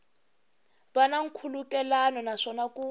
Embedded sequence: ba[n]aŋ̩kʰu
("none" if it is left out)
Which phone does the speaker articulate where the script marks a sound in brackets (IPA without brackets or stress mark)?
n